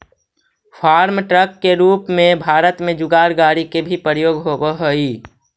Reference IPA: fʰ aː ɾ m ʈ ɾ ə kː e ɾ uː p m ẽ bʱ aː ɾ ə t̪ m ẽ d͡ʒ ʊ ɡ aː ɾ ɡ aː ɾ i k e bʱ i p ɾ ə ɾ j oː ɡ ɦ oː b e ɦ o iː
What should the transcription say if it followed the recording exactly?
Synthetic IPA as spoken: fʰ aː ɾ m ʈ ɾ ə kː e ɾ uː p m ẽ bʱ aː ɾ ə t̪ m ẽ d͡ʒ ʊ ɡ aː ɾ ɡ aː ɾ i k e bʱ i p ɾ ə ɾ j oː ɡ ɦ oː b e ɦ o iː